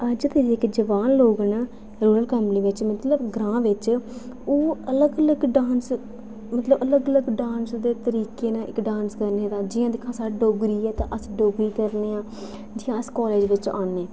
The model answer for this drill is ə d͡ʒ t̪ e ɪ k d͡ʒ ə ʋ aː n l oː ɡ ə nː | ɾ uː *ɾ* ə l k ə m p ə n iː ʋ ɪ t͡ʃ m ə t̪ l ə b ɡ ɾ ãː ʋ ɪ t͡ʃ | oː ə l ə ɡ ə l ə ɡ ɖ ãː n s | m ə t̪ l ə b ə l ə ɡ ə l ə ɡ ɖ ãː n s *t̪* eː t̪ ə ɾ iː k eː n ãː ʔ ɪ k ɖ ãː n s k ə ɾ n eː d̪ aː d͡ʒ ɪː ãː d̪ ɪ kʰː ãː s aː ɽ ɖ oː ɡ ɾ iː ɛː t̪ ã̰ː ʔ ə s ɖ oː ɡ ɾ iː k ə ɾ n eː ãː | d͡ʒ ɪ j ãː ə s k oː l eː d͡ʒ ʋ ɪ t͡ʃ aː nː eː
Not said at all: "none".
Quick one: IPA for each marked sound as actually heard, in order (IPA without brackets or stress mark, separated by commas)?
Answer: ɾ, d̪